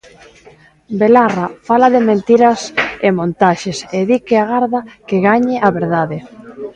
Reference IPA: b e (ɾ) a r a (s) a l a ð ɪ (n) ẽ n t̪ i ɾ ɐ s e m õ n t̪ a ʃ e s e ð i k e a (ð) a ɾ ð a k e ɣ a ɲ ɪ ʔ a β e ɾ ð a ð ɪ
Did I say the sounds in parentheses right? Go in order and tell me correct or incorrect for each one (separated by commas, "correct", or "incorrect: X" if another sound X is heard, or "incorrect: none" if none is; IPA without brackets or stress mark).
incorrect: l, incorrect: f, incorrect: m, incorrect: ɣ